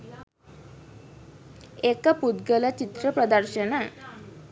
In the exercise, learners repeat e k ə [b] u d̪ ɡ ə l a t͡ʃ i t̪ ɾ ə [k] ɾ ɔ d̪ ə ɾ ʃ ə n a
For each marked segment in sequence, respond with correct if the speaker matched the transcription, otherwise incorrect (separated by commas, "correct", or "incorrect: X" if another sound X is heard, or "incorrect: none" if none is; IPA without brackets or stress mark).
incorrect: p, incorrect: p